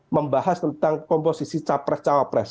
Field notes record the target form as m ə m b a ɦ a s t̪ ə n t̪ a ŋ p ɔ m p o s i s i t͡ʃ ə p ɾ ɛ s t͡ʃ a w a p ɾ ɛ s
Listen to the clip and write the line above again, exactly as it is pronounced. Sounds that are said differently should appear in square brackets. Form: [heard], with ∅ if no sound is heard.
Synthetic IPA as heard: m ə m b a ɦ a s t̪ ə n t̪ a ŋ [k] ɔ m p o s i s i t͡ʃ [a] p ɾ ɛ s t͡ʃ a w a p ɾ ɛ s